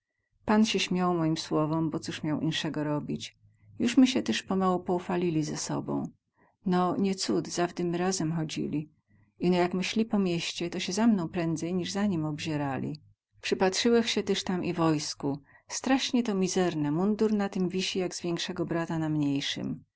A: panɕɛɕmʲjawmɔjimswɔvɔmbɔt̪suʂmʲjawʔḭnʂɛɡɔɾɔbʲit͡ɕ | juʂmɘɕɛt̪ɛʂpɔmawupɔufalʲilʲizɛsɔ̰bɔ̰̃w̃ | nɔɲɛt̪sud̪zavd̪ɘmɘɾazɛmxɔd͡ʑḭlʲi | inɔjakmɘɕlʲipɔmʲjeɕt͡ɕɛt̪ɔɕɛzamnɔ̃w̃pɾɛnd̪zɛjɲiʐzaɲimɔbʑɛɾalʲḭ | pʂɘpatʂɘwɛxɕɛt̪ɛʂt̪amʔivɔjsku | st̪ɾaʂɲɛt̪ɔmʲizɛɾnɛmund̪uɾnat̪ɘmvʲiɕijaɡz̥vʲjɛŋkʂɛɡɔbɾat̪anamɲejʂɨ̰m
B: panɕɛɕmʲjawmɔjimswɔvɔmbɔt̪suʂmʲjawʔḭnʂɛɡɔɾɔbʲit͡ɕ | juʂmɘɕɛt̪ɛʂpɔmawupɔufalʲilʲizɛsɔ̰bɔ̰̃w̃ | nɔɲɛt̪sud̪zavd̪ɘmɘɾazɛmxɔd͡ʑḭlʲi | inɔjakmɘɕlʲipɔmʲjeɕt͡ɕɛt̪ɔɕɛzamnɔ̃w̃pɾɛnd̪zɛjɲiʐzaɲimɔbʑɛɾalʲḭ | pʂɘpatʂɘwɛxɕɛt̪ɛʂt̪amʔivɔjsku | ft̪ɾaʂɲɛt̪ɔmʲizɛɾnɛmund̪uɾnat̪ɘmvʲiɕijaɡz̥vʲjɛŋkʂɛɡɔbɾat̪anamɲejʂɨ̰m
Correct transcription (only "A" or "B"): A